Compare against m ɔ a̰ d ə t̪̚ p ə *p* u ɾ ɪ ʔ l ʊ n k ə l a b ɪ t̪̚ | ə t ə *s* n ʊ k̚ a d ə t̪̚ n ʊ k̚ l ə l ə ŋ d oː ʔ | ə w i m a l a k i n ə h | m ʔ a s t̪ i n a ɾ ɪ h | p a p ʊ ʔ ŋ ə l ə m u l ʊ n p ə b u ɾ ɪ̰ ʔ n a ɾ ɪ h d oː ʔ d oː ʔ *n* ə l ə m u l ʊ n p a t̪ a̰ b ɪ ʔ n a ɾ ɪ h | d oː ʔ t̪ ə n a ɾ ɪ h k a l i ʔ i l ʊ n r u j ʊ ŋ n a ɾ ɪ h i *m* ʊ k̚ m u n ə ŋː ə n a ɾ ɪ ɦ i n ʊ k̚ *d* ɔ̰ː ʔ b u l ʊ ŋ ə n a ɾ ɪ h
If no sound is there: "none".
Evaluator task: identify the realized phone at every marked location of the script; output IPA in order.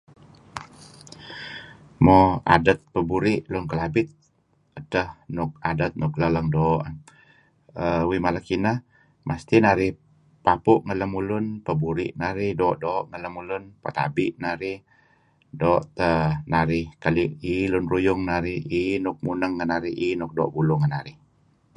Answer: b, h, ŋ, n, d

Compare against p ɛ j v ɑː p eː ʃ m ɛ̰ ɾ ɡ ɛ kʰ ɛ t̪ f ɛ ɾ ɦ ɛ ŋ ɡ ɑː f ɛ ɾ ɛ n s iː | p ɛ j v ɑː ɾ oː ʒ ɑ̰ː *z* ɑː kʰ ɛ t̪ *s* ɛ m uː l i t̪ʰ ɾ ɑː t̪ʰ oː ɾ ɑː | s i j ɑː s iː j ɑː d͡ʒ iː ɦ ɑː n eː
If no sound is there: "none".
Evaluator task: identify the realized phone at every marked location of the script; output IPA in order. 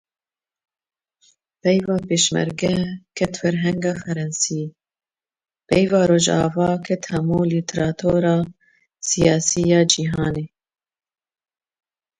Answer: v, h

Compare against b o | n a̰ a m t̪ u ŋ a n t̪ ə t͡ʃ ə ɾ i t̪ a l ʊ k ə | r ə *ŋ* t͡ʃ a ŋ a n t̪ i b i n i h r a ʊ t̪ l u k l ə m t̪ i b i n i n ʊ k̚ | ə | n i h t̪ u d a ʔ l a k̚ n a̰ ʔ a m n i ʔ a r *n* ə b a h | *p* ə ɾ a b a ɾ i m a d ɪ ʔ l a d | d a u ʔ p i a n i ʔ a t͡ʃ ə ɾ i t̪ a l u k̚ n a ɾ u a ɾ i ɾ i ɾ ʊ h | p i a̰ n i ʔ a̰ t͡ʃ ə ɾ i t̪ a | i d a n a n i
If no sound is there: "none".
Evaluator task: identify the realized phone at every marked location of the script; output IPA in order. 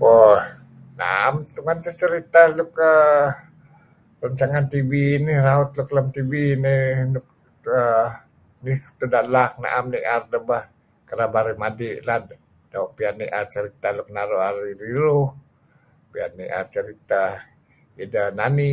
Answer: ɲ, d, k

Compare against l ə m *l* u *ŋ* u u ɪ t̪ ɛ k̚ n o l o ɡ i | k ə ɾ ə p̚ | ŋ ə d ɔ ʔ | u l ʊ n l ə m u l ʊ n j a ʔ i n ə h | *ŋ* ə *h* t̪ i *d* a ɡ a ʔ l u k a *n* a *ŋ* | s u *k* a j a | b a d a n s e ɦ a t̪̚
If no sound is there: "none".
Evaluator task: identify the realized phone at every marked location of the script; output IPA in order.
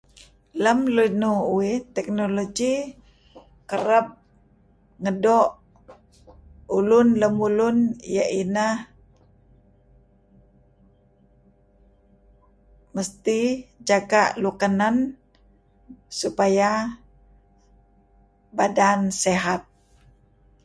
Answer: l, n, m, s, d͡ʒ, n, n, p

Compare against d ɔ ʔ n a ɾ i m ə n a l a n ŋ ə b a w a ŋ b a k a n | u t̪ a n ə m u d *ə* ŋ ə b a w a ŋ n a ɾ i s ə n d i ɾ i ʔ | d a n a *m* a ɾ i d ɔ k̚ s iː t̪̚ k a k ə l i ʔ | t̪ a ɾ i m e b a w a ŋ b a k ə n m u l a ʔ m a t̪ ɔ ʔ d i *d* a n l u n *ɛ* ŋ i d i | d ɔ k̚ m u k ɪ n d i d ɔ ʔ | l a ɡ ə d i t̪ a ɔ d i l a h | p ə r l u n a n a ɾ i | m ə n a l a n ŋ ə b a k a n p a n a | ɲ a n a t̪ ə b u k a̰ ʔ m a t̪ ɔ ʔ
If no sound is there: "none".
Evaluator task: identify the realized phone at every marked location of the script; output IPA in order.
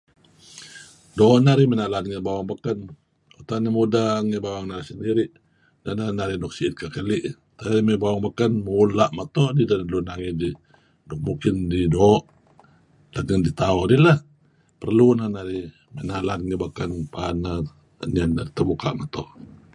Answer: a, n, d, a

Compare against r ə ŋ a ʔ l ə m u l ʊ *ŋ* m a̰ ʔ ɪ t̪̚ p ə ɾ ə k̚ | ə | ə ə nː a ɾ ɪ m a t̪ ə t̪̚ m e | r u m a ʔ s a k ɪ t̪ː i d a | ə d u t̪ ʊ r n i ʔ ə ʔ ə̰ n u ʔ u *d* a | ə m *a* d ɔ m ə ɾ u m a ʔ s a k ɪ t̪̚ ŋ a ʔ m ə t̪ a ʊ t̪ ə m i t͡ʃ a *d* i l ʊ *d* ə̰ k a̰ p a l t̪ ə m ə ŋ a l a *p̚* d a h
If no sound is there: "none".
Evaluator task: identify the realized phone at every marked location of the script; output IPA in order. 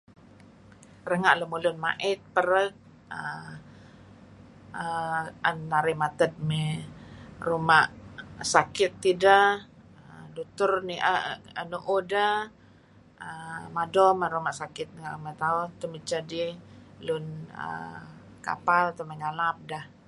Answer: n, d, a, d, n, p̚

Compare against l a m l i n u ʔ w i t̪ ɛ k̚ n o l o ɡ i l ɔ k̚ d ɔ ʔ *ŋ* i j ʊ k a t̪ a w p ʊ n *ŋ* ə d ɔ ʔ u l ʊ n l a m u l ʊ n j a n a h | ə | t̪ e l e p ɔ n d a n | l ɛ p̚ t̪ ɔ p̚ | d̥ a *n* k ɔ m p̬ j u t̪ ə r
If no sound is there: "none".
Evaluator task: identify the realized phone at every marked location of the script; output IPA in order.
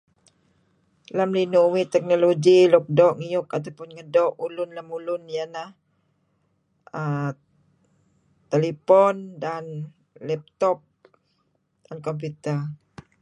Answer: ŋ, ŋ, n

